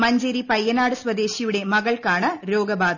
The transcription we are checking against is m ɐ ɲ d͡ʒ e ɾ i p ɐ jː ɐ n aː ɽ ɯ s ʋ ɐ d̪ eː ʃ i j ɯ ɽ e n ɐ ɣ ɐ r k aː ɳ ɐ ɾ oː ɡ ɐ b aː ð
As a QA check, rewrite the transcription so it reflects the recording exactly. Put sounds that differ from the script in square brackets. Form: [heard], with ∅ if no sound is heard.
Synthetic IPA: m ɐ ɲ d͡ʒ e ɾ i p ɐ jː ɐ n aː ɽ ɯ s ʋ ɐ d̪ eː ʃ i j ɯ ɽ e [m] ɐ ɣ ɐ [ɭ] k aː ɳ ɐ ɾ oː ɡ ɐ b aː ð